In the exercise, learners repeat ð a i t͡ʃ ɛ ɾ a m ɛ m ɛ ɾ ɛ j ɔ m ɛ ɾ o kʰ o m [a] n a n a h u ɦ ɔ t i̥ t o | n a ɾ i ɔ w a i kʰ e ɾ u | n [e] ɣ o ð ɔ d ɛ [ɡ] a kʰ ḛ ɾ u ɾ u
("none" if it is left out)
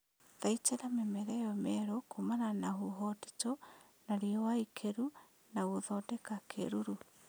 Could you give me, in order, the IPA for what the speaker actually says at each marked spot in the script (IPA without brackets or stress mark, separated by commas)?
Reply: a, a, k